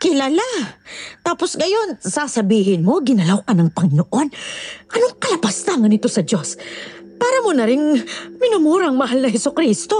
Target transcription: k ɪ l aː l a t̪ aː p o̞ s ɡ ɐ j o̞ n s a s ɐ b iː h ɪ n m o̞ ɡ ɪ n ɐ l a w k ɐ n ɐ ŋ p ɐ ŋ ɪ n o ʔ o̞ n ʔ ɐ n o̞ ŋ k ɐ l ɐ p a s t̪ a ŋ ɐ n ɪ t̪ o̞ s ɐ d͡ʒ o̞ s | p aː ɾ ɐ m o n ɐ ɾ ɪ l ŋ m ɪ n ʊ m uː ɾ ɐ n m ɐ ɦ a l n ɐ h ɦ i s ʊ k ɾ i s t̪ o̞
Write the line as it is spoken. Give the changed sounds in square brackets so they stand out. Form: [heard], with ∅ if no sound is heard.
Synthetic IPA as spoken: k ɪ l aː l a t̪ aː p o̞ s ɡ ɐ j o̞ n s a s ɐ b iː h ɪ n m o̞ ɡ ɪ n ɐ l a w k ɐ n ɐ ŋ p ɐ ŋ ɪ n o ʔ o̞ n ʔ ɐ n o̞ ŋ k ɐ l ɐ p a s t̪ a ŋ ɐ n ɪ t̪ o̞ s ɐ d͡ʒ o̞ s | p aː ɾ ɐ m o n ɐ ɾ ɪ [∅] ŋ m ɪ n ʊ m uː ɾ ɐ [ŋ] m ɐ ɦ a l n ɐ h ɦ [ɛ] s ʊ k ɾ i s t̪ o̞